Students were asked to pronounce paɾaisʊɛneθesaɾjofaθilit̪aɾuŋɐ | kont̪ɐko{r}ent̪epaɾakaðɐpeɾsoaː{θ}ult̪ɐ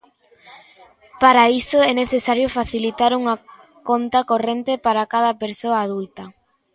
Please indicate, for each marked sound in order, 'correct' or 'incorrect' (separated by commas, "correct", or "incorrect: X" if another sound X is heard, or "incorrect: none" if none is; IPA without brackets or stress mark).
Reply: correct, incorrect: ð